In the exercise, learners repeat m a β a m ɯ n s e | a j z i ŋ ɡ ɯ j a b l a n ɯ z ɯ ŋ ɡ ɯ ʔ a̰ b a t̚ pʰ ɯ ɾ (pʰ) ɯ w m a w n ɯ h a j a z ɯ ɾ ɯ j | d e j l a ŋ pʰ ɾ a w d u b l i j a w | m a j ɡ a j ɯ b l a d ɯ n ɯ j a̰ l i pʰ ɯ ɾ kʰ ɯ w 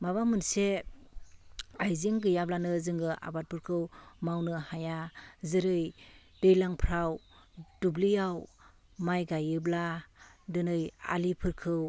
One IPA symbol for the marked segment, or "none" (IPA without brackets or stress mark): kʰ